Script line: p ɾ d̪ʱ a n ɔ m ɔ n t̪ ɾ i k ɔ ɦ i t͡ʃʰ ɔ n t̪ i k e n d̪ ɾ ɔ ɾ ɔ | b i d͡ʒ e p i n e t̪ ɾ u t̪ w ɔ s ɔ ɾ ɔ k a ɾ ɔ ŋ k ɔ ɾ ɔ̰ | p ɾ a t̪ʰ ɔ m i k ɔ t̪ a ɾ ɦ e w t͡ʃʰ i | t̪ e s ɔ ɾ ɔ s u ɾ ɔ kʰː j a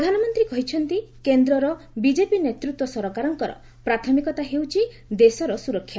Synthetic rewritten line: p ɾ d̪ʱ a n ɔ m ɔ n t̪ ɾ i k ɔ ɦ i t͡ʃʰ ɔ n t̪ i k e n d̪ ɾ ɔ ɾ ɔ | b i d͡ʒ e p i n e t̪ ɾ u t̪ w ɔ s ɔ ɾ ɔ k a ɾ ɔ ŋ k ɔ ɾ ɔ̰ | p ɾ a t̪ʰ ɔ m i k ɔ t̪ a ɦ e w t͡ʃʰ i | d̪ e s ɔ ɾ ɔ s u ɾ ɔ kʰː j a